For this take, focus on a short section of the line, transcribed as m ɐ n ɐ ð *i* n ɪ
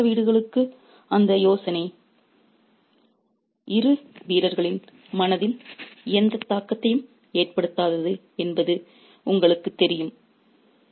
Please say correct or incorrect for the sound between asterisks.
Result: incorrect